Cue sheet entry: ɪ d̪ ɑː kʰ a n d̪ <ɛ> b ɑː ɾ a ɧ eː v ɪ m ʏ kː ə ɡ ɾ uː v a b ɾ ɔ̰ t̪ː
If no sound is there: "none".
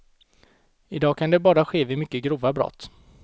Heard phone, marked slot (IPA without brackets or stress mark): ɛ